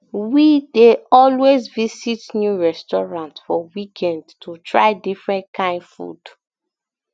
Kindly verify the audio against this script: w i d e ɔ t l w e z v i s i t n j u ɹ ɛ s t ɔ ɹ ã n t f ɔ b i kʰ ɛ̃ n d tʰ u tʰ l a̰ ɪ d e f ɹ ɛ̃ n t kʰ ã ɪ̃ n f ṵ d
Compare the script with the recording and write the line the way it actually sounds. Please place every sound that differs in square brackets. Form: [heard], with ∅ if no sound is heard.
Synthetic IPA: w i d e ɔ [∅] l w e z v i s i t n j u ɹ ɛ s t ɔ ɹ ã n t f ɔ [w] i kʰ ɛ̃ n d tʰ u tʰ [ɹ] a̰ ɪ d [i] f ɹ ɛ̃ n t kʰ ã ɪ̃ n f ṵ d